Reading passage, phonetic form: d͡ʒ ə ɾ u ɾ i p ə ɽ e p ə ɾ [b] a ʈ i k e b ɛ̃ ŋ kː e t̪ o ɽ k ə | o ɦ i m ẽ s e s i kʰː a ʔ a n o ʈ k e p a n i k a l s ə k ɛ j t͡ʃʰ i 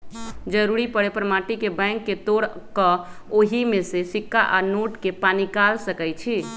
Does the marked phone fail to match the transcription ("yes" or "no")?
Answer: yes